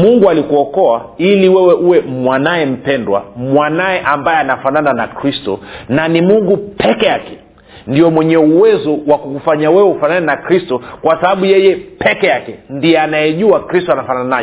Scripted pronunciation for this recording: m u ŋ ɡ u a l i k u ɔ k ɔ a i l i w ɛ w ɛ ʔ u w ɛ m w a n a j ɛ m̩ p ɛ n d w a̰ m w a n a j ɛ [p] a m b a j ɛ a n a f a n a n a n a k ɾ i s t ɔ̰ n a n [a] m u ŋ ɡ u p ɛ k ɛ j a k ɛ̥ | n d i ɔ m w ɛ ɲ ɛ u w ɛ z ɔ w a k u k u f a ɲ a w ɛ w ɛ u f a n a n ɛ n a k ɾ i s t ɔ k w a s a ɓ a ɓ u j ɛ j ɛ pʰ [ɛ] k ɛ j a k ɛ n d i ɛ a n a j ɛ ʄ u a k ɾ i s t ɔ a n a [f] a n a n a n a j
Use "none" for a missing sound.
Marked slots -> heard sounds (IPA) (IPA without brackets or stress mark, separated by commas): ʔ, i, ɛ, f